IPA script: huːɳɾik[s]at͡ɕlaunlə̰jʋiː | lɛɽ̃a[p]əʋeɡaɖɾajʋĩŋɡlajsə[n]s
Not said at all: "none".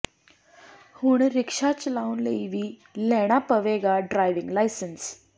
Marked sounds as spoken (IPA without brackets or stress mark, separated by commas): ʂ, p, n